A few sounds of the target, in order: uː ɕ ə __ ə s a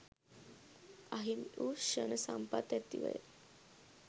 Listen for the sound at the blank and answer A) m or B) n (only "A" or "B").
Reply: B